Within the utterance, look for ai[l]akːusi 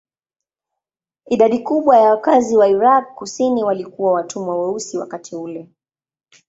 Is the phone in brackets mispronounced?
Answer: yes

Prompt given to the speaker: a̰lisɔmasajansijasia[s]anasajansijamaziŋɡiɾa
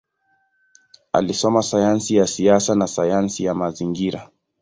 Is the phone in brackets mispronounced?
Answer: no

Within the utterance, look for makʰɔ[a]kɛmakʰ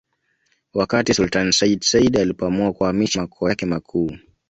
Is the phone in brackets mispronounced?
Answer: no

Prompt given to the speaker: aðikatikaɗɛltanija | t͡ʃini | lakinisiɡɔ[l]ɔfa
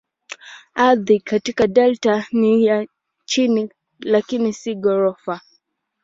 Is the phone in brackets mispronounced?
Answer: yes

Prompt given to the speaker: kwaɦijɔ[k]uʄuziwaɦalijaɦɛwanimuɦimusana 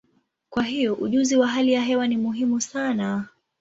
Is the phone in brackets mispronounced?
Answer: yes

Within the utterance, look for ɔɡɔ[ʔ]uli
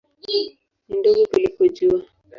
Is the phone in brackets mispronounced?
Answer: yes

